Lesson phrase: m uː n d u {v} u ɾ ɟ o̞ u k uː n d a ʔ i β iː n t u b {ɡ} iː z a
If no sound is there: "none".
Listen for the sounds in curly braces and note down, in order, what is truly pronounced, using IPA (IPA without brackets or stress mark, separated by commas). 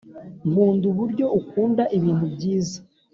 β, ɟ